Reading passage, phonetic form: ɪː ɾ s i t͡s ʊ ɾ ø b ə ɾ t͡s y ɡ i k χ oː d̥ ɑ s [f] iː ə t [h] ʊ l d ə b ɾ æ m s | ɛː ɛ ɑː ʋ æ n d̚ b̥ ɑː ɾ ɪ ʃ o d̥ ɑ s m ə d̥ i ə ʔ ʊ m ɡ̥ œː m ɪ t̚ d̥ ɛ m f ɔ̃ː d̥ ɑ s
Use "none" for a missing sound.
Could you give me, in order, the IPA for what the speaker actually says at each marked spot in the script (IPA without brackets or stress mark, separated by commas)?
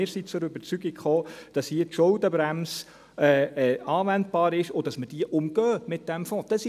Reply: h, ʃ